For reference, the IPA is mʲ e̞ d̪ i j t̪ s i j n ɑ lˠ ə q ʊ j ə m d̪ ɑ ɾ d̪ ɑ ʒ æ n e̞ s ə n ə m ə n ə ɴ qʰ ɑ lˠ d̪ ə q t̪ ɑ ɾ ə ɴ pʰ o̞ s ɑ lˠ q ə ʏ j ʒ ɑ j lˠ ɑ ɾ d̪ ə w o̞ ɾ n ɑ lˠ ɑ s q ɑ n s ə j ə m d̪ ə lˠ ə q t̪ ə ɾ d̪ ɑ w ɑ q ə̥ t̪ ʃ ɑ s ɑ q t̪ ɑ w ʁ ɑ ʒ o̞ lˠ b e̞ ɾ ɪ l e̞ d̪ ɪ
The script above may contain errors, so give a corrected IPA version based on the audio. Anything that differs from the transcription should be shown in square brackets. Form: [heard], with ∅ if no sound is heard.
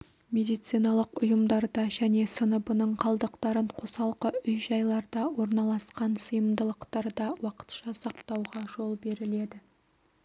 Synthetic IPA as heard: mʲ e̞ d̪ i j t̪ s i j n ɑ lˠ ə q ʊ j ə m d̪ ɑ ɾ d̪ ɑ ʒ æ n e̞ s ə n ə [b] ə n ə ɴ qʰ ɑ lˠ d̪ ə q t̪ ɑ ɾ ə ɴ [qʰ] o̞ s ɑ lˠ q ə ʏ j ʒ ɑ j lˠ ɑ ɾ d̪ [ɑ] w o̞ ɾ n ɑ lˠ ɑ s q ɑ n s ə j ə m d̪ ə lˠ ə q t̪ [ɑ] ɾ d̪ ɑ w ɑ q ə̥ t̪ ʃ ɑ s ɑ q t̪ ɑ w ʁ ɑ ʒ o̞ lˠ b e̞ ɾ ɪ l e̞ d̪ ɪ

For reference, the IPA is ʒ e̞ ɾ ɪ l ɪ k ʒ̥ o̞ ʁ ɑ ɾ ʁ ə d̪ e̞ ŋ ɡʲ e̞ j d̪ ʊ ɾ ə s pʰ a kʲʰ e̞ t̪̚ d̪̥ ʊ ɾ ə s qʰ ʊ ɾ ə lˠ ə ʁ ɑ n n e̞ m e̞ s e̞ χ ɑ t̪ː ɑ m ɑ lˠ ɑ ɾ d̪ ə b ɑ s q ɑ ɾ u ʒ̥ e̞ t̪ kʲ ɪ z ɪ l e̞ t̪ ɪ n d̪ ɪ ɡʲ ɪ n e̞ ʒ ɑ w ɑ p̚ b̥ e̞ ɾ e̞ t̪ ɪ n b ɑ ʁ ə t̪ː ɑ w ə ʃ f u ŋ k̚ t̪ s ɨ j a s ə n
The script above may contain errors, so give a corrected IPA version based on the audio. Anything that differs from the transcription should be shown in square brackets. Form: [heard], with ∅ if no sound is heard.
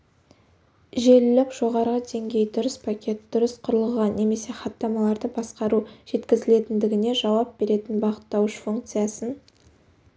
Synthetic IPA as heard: ʒ e̞ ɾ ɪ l ɪ k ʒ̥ o̞ ʁ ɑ ɾ ʁ ə d̪ e̞ ŋ ɡʲ e̞ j d̪ ʊ ɾ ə s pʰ a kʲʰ e̞ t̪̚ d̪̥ ʊ ɾ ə s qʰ ʊ ɾ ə lˠ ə ʁ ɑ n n e̞ m e̞ s e̞ χ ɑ t̪ː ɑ m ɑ lˠ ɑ ɾ d̪ ə b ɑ s q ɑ ɾ u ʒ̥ e̞ t̪ kʲ ɪ z ɪ l e̞ t̪ ɪ n d̪ ɪ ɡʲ ɪ n e̞ ʒ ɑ w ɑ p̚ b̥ e̞ ɾ e̞ t̪ ɪ n b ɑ ʁ ə t̪ː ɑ w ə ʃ f u ŋ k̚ t̪ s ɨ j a s ə n

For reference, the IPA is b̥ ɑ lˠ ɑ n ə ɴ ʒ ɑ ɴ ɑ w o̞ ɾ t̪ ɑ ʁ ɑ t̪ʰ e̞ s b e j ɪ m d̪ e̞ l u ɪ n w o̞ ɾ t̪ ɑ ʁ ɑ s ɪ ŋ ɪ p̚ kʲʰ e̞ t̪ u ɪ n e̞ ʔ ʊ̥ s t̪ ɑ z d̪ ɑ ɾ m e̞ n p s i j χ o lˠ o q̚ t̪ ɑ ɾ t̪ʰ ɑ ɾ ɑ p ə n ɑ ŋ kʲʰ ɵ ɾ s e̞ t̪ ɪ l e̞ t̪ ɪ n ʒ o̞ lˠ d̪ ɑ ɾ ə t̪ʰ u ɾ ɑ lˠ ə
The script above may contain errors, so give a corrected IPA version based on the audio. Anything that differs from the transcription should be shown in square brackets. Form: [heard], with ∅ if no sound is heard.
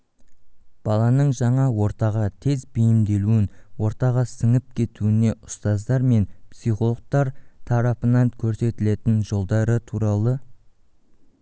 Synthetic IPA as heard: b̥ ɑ lˠ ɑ n ə ɴ ʒ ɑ ɴ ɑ w o̞ ɾ t̪ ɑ ʁ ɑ t̪ʰ e̞ [z] b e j ɪ m d̪ e̞ l u ɪ n w o̞ ɾ t̪ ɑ ʁ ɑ s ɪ ŋ ɪ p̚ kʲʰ e̞ t̪ u ɪ n e̞ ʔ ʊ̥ s t̪ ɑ z d̪ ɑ ɾ m e̞ n p s i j χ o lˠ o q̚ t̪ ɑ ɾ t̪ʰ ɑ ɾ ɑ p ə n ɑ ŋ kʲʰ ɵ ɾ s e̞ t̪ ɪ l e̞ t̪ ɪ n ʒ o̞ lˠ d̪ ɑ ɾ ə t̪ʰ u ɾ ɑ lˠ ə

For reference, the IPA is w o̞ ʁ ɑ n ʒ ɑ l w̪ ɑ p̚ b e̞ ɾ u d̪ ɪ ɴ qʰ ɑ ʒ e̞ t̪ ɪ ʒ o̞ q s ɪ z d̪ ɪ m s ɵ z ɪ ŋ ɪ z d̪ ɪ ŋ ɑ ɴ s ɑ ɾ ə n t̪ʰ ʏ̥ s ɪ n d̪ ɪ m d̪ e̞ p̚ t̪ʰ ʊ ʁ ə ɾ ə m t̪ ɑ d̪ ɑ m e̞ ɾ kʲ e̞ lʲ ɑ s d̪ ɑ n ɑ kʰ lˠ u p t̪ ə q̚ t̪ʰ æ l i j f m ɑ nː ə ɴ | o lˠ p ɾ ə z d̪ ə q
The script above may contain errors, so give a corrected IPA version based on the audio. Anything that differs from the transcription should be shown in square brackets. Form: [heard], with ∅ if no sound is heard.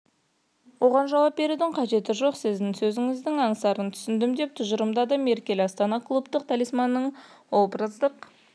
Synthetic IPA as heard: w o̞ ʁ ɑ n ʒ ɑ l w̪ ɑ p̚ b e̞ ɾ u d̪ ɪ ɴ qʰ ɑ ʒ e̞ t̪ ɪ ʒ o̞ q s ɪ z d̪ ɪ [ŋ] s ɵ z ɪ ŋ ɪ z d̪ ɪ ŋ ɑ ɴ s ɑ ɾ ə n t̪ʰ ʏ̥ s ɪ n d̪ ɪ m d̪ e̞ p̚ t̪ʰ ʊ [ʒ] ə ɾ ə m [d̪] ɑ d̪ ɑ m e̞ ɾ kʲ e̞ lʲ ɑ s [t̪] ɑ n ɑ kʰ lˠ u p t̪ ə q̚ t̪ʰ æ l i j [s] m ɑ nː ə ɴ | o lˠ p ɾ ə z d̪ ə q

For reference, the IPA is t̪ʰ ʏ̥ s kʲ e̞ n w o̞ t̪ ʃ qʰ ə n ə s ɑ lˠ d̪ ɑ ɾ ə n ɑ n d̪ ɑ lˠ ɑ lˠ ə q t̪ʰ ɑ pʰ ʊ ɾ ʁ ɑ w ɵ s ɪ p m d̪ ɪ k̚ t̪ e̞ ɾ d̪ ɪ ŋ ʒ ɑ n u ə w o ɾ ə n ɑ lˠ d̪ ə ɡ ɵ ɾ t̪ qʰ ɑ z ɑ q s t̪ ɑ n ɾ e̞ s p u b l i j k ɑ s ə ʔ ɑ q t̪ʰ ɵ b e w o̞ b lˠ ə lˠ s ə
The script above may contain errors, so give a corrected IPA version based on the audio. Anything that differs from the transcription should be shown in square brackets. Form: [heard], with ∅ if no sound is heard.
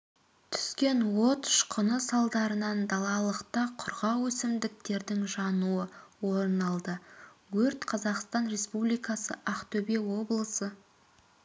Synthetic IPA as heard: t̪ʰ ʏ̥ s kʲ e̞ n w o̞ t̪ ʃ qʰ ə n ə s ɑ lˠ d̪ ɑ ɾ ə n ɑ n d̪ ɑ lˠ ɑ lˠ ə q [t̪] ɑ [qʰ] ʊ ɾ ʁ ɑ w ɵ s ɪ [∅] m d̪ ɪ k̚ t̪ e̞ ɾ d̪ ɪ ŋ ʒ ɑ n u ə w o ɾ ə n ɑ lˠ d̪ ə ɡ ɵ ɾ t̪ qʰ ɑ z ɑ q s t̪ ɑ n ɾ e̞ s p u b l i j k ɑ s ə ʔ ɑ q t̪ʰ ɵ b e w o̞ b lˠ ə [∅] s ə

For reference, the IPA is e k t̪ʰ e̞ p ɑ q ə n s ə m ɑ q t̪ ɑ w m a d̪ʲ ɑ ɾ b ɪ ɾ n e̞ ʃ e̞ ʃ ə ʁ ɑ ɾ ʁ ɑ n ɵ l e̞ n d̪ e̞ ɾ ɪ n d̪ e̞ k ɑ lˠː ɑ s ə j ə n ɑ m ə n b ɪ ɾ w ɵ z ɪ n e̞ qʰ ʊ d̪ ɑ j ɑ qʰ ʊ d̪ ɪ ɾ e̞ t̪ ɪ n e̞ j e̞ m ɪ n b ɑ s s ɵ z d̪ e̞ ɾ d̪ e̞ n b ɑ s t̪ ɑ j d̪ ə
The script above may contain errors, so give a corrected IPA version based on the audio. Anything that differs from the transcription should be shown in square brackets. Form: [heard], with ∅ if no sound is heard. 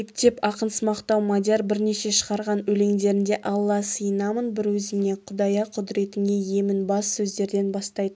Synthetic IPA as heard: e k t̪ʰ e̞ p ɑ q ə n s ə m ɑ q t̪ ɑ w m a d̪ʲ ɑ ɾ b ɪ ɾ n e̞ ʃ e̞ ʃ ə ʁ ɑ ɾ ʁ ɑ n ɵ l e̞ [ŋ] d̪ e̞ ɾ ɪ n d̪ e̞ [ʔ] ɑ lˠː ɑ s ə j ə n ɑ m ə n b ɪ ɾ w ɵ z ɪ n e̞ qʰ ʊ d̪ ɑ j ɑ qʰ ʊ d̪ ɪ ɾ e̞ t̪ ɪ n e̞ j e̞ m ɪ n b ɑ s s ɵ z d̪ e̞ ɾ d̪ e̞ n b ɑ s t̪ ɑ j d̪ ə

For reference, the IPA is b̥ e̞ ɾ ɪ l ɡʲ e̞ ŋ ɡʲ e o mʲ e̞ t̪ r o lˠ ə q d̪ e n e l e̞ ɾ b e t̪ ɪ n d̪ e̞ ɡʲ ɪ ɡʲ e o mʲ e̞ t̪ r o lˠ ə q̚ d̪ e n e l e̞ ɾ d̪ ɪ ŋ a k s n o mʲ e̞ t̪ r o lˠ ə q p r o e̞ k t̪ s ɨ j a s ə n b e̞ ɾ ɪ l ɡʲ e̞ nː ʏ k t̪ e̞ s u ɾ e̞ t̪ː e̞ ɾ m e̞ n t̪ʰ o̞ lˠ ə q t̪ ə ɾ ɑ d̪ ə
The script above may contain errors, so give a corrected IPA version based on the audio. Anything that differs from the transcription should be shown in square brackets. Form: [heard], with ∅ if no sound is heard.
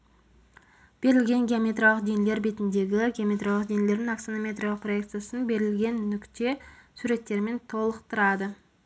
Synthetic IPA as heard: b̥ e̞ ɾ ɪ l ɡʲ e̞ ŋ ɡʲ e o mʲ e̞ t̪ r o lˠ ə q d̪ e n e l e̞ ɾ b e t̪ ɪ n d̪ e̞ ɡʲ ɪ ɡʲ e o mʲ e̞ t̪ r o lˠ ə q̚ d̪ e n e l e̞ ɾ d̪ ɪ ŋ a k s n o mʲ e̞ t̪ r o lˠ ə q p r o e̞ k t̪ s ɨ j a s ə n b e̞ ɾ ɪ l ɡʲ e̞ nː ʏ k t̪ e̞ s u ɾ e̞ t̪ː e̞ ɾ m e̞ n t̪ʰ o̞ lˠ ə q t̪ ə ɾ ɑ d̪ ə

